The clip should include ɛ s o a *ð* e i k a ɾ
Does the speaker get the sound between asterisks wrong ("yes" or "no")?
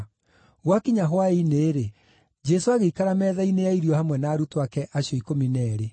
yes